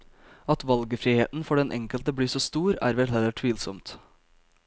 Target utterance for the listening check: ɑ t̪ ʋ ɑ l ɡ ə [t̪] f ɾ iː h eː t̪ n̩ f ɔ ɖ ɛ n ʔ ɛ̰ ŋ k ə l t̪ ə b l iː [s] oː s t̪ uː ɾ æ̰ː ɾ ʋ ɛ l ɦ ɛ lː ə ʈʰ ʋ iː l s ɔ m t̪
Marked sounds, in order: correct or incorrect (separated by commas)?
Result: incorrect, correct